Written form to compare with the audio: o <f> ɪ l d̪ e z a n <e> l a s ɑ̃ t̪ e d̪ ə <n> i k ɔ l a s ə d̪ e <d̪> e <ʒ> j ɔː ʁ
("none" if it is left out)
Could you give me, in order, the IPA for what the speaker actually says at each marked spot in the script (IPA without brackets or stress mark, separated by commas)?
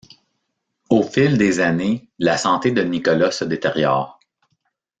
f, e, n, t̪, ʁ